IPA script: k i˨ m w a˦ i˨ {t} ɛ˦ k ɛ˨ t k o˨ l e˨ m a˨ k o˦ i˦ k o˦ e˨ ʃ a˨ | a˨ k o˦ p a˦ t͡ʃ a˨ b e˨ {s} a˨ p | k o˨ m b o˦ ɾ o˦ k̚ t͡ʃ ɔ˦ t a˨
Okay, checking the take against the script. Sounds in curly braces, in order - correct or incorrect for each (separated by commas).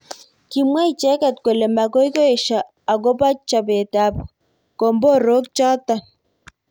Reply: incorrect, incorrect